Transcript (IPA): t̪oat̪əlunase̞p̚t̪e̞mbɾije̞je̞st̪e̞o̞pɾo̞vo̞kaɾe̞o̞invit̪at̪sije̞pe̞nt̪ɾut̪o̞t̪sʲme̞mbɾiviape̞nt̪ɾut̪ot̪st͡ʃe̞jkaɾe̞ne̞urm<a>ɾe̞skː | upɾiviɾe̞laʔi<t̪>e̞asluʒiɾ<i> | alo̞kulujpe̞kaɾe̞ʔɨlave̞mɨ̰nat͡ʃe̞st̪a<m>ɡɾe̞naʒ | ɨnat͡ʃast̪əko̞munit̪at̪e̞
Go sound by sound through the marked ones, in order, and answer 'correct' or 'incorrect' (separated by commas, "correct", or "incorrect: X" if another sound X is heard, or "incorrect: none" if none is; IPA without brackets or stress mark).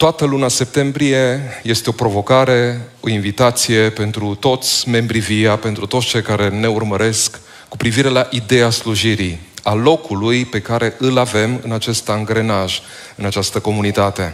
incorrect: ə, incorrect: d̪, correct, incorrect: ŋ